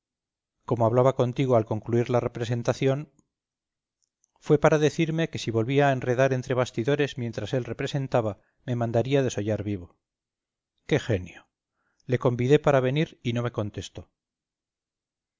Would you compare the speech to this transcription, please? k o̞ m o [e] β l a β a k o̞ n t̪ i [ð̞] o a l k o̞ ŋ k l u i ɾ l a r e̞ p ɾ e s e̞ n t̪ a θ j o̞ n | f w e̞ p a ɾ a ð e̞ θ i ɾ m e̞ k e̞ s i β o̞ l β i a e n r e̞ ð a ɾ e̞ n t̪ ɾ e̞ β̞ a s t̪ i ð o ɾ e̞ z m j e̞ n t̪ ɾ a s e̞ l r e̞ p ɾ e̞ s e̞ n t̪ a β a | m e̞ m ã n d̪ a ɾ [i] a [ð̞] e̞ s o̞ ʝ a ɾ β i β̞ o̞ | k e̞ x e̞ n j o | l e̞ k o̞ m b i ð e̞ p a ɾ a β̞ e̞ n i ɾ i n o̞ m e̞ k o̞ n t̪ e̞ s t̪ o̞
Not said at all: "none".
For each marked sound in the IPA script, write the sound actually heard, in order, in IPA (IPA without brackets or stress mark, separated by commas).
a, ɣ̞, i, ð̞